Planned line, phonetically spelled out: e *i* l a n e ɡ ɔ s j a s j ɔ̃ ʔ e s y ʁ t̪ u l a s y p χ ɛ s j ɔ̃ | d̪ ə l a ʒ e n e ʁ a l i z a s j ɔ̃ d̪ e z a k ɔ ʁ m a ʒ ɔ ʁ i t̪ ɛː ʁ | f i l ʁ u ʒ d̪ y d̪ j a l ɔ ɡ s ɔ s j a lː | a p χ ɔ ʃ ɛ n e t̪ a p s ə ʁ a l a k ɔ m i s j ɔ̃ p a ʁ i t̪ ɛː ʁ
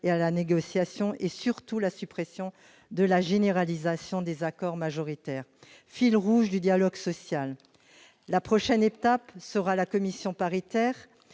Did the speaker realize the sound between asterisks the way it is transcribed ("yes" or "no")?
no